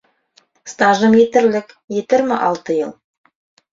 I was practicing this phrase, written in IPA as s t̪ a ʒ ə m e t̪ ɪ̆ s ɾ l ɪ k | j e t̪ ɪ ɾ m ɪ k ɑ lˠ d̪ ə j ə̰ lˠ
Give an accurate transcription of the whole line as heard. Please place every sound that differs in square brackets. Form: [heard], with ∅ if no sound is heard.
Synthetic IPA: s t̪ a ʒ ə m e t̪ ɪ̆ [∅] ɾ l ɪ k | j e t̪ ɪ ɾ m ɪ [ʔ] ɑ lˠ [t̪] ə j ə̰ lˠ